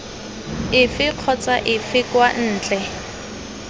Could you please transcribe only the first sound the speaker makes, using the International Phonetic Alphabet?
ɪ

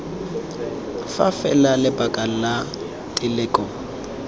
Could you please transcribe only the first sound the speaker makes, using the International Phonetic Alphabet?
f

